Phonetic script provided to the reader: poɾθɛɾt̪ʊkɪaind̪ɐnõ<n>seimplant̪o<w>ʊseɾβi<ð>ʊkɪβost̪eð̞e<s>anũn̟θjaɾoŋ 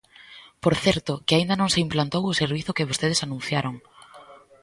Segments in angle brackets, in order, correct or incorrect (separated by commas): incorrect, correct, incorrect, correct